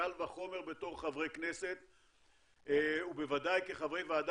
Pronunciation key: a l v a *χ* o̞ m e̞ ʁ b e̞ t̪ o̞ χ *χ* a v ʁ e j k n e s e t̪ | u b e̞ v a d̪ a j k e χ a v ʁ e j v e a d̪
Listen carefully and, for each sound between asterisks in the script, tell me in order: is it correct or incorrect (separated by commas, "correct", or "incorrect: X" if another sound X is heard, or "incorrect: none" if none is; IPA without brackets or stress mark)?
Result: correct, correct